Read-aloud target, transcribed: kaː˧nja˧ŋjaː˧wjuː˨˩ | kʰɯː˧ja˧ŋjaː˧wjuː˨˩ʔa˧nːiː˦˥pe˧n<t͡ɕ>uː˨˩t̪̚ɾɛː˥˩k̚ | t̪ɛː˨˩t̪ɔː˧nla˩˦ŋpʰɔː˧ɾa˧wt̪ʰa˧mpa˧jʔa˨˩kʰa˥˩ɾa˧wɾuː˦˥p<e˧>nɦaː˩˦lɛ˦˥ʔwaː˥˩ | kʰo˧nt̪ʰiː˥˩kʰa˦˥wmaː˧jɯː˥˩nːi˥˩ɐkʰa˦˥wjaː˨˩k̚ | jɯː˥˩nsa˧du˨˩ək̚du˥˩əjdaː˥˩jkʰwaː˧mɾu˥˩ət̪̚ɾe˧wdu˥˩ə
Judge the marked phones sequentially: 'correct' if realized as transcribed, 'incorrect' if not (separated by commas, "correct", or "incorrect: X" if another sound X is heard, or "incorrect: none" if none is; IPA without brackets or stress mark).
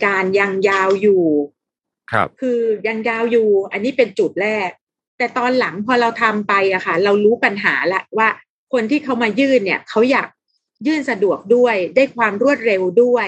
correct, incorrect: a˧